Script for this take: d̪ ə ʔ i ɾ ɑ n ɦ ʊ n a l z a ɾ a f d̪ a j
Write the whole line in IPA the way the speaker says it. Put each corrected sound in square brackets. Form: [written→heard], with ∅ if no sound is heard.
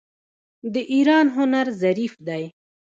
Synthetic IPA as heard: d̪ ə ʔ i ɾ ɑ n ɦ ʊ n a [l→ɾ] z a ɾ [a→i] f d̪ a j